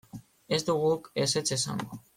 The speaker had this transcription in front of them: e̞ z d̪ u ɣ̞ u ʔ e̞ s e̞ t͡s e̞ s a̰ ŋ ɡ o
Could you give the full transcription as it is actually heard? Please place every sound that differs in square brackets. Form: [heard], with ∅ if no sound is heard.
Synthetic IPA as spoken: e̞ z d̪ u ɣ̞ u [k] e̞ s e̞ t͡s e̞ s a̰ ŋ ɡ o